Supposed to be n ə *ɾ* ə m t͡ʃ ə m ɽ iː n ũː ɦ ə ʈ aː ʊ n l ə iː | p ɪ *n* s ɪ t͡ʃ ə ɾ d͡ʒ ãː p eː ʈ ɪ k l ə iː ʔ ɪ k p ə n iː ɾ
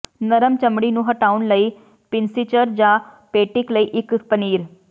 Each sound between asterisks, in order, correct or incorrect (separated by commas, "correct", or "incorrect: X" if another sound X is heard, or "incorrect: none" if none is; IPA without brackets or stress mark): correct, correct